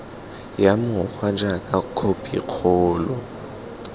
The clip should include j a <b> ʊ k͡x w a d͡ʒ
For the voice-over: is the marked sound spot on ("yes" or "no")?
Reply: no